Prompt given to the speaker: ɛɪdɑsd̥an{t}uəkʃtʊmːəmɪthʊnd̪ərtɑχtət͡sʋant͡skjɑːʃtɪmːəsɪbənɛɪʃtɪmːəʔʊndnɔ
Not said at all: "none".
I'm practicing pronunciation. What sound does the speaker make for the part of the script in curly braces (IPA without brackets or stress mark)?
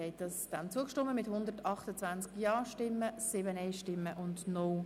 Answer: t͡s